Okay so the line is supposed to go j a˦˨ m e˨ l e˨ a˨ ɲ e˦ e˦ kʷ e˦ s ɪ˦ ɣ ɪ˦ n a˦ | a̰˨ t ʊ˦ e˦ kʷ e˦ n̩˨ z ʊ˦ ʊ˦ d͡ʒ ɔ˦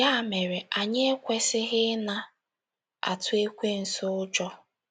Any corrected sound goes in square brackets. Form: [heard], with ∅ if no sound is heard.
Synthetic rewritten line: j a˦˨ m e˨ [ɾ] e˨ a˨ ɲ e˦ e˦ kʷ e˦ s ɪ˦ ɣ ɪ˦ n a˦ | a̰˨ t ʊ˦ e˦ kʷ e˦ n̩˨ [s] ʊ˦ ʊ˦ d͡ʒ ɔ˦